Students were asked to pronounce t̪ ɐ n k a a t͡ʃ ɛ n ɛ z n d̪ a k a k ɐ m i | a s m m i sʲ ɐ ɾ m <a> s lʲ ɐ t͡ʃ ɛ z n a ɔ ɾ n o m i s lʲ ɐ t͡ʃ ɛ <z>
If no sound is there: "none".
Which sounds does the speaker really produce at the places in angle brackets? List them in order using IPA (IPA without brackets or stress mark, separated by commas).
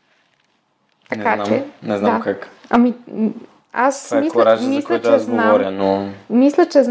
i, z